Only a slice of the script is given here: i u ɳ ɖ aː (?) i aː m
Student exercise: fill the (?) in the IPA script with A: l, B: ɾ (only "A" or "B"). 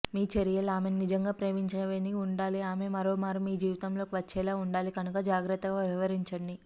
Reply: A